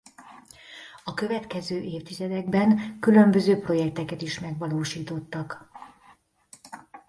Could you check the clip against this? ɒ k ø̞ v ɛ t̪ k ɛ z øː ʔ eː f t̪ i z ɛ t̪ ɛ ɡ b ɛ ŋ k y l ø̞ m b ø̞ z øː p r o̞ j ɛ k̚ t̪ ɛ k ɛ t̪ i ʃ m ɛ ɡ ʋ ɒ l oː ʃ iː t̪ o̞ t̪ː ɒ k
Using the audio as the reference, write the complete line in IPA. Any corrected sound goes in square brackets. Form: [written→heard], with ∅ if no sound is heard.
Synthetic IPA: ɒ k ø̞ v ɛ t̪ k ɛ z øː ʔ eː f t̪ i z ɛ [t̪→d̪] ɛ ɡ b ɛ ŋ k y l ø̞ m b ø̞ z øː p r o̞ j ɛ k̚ t̪ ɛ k ɛ t̪ i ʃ m ɛ ɡ ʋ ɒ l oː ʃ iː t̪ o̞ t̪ː ɒ k